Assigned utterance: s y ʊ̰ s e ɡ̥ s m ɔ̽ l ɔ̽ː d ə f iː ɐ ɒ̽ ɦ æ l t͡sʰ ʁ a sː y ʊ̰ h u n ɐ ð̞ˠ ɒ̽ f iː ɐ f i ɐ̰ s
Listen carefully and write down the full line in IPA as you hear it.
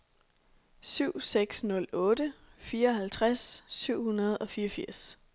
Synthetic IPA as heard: s y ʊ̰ s e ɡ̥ s n ɔ̽ l ɔ̽ː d ə f iː ɐ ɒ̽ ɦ æ l t͡sʰ ʁ a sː y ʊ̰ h u n ɐ ð̞ˠ ɒ̽ f iː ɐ f i ɐ̰ s